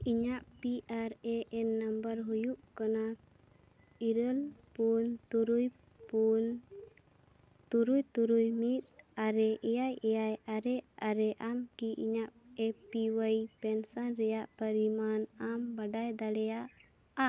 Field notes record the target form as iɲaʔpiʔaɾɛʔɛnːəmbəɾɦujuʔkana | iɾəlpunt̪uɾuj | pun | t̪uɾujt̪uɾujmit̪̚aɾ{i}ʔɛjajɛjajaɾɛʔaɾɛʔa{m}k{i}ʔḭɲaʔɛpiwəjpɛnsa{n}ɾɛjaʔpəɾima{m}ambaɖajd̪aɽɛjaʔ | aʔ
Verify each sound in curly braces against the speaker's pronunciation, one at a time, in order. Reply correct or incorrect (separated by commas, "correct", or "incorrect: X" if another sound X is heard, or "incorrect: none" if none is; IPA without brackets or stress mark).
incorrect: ɛ, correct, correct, correct, incorrect: n